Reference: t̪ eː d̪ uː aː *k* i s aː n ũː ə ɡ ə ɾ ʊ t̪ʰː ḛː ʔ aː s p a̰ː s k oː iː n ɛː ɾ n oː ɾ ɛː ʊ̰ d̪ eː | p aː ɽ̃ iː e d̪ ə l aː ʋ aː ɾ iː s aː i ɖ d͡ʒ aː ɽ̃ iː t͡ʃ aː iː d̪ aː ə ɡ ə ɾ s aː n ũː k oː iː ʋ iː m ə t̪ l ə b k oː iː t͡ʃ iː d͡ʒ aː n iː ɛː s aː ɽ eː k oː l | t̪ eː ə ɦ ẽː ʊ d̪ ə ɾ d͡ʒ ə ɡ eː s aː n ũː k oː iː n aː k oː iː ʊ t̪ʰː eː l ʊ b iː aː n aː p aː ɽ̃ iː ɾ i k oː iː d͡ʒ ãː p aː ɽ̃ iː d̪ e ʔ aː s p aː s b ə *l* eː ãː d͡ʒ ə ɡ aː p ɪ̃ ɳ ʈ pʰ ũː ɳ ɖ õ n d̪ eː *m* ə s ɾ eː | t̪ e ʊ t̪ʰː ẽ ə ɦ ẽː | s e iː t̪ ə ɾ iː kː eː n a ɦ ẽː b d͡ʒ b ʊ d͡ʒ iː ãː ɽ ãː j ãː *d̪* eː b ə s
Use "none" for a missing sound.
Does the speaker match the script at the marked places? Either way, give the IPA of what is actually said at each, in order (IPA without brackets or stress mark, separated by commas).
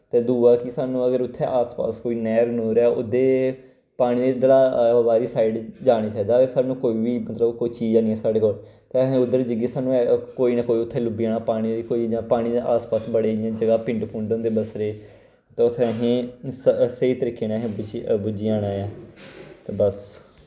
k, ɽ, b, t̪